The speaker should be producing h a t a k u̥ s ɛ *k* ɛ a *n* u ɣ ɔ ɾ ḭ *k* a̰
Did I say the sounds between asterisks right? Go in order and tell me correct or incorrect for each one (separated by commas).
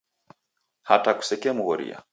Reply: correct, incorrect, incorrect